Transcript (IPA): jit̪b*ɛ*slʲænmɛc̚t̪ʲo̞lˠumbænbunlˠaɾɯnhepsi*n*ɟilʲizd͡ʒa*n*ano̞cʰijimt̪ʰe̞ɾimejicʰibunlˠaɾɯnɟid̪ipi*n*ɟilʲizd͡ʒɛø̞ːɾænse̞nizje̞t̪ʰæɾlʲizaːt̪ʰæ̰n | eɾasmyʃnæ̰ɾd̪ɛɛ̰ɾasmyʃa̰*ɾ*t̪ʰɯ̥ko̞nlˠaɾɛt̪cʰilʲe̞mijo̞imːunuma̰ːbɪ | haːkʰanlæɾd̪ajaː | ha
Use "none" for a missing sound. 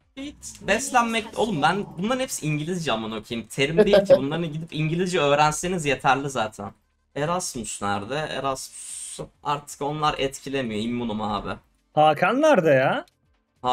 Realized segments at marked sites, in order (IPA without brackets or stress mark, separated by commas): ɛ, ɲ, m, ɲ, ɾ